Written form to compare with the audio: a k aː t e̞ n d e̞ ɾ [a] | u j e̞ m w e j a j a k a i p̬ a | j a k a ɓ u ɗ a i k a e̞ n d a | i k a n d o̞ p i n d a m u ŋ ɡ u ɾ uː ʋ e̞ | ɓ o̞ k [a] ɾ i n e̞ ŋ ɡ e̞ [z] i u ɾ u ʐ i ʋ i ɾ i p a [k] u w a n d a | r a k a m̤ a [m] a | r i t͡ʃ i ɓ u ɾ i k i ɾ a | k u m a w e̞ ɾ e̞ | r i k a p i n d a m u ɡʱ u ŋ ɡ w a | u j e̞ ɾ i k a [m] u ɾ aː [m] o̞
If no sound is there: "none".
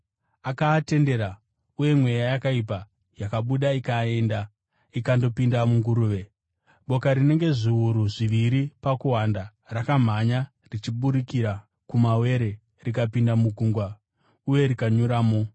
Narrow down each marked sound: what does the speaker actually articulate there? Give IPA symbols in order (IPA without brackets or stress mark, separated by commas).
a, a, ʐ, k, ɲ, ɲ, m